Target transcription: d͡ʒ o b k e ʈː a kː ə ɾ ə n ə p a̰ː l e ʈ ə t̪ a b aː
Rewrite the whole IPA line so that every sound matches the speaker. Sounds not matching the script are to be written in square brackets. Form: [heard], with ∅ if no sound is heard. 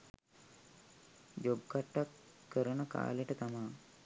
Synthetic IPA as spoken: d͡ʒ o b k [a] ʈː a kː ə ɾ ə n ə [k] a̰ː l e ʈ ə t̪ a [m] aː